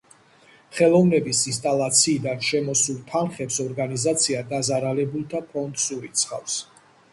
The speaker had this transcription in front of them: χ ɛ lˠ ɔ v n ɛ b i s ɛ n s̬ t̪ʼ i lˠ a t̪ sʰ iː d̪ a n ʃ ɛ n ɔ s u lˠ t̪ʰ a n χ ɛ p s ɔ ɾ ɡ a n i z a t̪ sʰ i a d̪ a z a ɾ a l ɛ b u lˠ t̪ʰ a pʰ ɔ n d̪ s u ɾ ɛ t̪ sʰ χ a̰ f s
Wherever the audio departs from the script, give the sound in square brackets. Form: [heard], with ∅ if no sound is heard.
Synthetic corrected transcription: χ ɛ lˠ ɔ v n ɛ b i s [i] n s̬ t̪ʼ [a] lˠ a t̪ sʰ iː d̪ a n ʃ ɛ [m] ɔ s u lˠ t̪ʰ a n χ ɛ p s ɔ ɾ ɡ a n i z a t̪ sʰ i a d̪ a z a ɾ a l ɛ b u lˠ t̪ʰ a pʰ ɔ n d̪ s u ɾ [i] t̪ sʰ χ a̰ f s